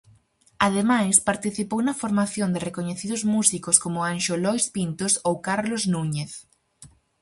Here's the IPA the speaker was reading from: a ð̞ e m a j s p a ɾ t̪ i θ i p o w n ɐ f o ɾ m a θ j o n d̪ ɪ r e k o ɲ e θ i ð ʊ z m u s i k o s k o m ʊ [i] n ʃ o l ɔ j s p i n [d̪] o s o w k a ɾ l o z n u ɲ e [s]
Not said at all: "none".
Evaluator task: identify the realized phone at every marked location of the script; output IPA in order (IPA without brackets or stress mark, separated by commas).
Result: a, t̪, θ